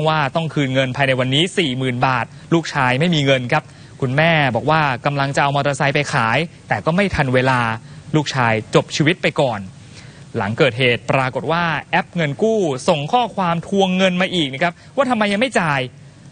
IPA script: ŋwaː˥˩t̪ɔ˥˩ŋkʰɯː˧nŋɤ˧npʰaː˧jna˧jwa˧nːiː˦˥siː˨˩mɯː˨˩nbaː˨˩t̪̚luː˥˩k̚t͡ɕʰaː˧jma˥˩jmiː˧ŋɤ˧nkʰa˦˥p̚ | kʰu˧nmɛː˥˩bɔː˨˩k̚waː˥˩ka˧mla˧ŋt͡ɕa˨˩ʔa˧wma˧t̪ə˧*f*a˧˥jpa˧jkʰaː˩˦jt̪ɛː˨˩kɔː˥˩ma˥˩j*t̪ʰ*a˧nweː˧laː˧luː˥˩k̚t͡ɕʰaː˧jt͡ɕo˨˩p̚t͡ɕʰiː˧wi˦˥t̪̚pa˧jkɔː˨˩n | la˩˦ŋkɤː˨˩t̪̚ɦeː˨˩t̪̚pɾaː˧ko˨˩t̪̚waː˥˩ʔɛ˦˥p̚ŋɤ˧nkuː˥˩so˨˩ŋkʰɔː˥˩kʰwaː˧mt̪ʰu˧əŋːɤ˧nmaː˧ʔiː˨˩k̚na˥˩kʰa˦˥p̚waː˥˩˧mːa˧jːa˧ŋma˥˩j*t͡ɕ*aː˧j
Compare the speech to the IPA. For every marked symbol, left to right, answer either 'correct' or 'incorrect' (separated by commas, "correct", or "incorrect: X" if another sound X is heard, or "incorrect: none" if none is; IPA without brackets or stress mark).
incorrect: s, correct, correct